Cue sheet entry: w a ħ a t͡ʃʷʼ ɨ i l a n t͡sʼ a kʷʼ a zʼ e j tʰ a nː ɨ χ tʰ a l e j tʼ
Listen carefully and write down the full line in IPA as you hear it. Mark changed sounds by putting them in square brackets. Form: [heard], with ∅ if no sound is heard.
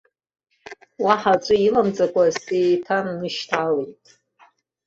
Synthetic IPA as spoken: w a ħ a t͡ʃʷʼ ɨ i l a [m] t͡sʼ a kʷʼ a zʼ e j tʰ a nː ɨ [ʃ] tʰ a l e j tʼ